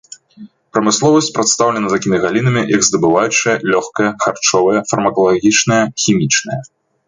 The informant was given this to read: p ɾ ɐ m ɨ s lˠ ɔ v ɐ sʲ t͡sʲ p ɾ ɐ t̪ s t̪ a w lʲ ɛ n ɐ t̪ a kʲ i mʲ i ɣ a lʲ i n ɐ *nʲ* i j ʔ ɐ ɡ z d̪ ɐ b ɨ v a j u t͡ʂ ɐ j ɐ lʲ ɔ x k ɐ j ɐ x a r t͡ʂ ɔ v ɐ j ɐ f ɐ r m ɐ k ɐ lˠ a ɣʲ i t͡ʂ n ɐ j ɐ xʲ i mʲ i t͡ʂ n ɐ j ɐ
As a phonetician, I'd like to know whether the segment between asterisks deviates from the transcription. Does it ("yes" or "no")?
yes